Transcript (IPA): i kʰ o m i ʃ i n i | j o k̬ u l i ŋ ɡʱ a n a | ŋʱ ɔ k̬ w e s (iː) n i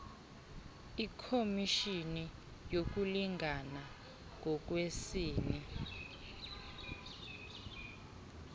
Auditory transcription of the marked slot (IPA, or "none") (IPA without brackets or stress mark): iː